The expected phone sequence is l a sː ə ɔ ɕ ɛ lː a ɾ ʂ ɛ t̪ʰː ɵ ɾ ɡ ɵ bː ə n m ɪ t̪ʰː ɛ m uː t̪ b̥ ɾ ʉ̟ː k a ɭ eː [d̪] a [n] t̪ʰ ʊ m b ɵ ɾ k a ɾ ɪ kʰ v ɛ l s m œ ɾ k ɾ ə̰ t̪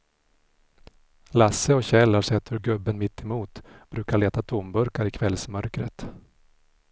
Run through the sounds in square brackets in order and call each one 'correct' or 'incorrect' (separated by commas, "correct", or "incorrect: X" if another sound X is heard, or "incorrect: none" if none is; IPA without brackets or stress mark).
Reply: incorrect: t̪, incorrect: none